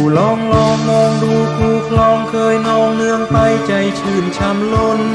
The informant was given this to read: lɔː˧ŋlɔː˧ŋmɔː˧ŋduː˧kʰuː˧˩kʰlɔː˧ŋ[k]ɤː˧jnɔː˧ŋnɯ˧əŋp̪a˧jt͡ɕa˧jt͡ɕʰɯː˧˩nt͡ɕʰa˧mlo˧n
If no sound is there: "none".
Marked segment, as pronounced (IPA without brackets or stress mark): kʰ